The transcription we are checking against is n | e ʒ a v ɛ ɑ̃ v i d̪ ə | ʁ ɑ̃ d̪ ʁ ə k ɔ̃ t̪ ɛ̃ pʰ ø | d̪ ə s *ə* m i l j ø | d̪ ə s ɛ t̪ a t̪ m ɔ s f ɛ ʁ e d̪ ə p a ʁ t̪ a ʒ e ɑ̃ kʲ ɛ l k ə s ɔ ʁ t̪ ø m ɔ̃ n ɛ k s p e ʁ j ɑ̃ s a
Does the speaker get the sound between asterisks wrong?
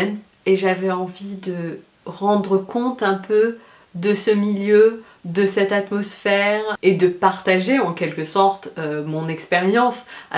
no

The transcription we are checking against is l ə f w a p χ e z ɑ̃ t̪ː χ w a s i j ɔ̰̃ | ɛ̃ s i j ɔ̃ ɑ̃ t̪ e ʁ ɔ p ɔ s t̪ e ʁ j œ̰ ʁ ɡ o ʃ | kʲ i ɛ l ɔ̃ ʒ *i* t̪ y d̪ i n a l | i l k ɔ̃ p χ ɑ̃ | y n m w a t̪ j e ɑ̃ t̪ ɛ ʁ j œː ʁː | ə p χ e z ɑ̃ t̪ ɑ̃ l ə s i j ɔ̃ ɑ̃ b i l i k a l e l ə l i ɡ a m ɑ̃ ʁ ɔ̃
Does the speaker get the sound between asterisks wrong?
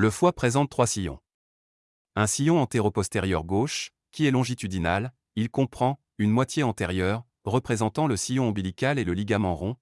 no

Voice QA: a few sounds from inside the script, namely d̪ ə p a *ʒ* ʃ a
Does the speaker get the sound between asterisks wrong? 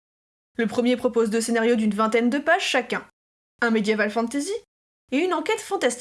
no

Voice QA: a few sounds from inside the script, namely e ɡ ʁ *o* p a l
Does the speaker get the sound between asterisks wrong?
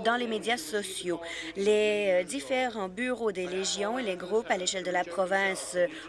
yes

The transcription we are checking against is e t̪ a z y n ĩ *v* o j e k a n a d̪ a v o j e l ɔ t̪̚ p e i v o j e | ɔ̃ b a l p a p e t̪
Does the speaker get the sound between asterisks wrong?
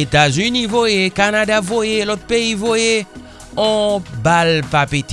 no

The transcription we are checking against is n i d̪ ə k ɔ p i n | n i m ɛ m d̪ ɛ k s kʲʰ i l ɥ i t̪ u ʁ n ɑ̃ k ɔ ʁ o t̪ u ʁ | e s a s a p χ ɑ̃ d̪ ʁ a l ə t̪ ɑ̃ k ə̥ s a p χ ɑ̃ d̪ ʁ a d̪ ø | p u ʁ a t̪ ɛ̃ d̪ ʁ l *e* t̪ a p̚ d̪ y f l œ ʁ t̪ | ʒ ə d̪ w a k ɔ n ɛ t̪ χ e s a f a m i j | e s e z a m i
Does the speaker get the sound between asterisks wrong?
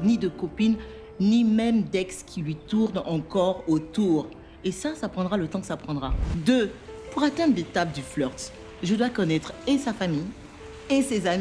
no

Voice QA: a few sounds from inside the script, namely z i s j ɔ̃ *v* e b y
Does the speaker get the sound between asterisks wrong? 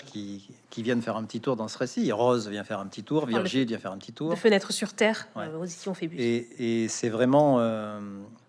yes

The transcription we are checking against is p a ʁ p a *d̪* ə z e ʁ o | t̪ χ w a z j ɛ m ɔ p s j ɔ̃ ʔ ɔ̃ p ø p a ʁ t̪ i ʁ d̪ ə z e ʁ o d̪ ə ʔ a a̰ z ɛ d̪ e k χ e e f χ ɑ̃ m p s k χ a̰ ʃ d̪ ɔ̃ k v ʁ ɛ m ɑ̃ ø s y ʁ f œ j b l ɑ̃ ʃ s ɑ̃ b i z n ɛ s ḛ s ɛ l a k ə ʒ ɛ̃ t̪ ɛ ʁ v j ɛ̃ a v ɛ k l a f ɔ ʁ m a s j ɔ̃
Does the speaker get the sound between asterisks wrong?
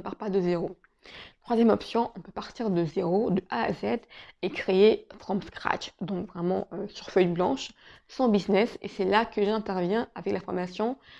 no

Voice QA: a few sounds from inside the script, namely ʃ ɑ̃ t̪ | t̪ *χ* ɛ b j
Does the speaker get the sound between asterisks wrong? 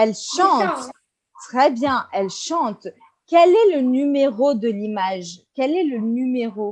no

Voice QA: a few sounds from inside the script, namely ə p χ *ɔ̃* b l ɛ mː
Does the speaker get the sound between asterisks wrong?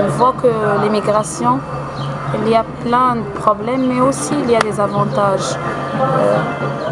yes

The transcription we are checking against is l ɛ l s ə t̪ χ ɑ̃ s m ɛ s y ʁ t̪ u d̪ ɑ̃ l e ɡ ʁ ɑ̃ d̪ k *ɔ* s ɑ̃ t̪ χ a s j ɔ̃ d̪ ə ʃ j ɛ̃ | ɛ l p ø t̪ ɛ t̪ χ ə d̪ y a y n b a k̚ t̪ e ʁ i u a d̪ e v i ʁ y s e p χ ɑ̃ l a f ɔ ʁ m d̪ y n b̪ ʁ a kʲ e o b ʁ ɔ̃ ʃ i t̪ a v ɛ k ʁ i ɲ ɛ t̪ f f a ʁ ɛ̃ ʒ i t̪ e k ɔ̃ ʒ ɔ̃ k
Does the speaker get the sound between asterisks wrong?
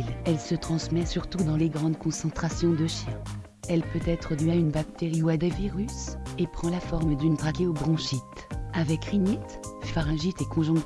yes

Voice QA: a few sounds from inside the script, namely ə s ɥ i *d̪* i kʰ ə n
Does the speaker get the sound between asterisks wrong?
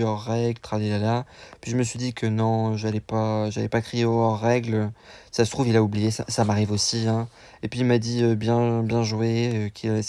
no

